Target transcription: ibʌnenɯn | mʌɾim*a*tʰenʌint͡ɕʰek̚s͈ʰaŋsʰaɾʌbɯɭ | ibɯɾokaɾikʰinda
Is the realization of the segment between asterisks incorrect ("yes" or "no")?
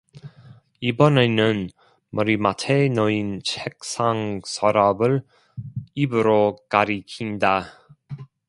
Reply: no